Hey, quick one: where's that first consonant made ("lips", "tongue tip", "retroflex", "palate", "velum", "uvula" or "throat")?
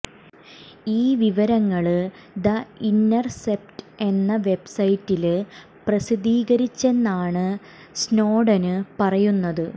lips